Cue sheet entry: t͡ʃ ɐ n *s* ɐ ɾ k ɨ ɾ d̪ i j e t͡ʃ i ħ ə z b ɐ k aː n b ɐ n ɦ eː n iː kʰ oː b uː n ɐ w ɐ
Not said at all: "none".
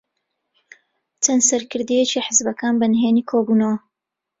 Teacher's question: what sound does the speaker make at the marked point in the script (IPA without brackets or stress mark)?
s